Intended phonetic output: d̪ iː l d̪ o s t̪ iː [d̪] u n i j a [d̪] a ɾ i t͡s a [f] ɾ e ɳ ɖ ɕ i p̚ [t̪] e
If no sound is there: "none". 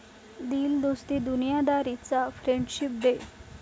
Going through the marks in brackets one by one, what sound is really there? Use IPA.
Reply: d̪, d̪, f, d̪

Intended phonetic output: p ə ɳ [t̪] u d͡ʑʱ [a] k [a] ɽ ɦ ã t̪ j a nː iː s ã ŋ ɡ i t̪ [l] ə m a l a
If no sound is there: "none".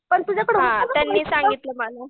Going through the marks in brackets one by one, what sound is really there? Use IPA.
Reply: t̪, a, ə, l

